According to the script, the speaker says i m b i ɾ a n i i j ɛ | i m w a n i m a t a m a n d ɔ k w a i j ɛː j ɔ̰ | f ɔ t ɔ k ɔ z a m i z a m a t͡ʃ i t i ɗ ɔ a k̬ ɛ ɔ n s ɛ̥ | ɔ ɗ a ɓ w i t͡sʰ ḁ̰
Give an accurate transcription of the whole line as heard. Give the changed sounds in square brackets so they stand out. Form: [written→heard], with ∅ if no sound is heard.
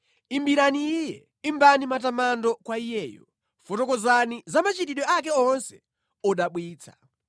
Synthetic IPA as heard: i m b i ɾ a n i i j ɛ | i m [w→b] a n i m a t a m a n d ɔ k w a i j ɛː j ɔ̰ | f ɔ t ɔ k ɔ z a [m→n] i z a m a t͡ʃ i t i ɗ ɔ a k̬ ɛ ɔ n s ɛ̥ | ɔ ɗ a ɓ w [i→iː] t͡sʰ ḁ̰